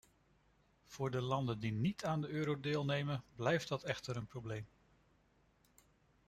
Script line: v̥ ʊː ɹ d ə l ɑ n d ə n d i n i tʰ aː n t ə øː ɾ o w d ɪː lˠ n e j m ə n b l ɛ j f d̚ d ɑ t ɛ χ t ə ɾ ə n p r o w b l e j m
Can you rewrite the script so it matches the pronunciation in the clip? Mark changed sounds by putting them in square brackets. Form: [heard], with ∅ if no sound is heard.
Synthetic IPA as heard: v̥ ʊː ɹ d ə l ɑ n d ə n d i n i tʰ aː n [d] ə øː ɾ o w d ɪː lˠ n e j m ə n b l ɛ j f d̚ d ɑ t ɛ χ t ə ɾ ə n p r o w b l e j m